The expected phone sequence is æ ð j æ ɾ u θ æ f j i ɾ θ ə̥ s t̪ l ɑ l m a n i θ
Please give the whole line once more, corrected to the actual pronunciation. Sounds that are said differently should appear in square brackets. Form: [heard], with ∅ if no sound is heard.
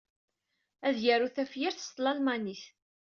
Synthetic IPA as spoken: æ ð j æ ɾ u θ æ f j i ɾ θ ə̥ s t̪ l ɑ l m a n i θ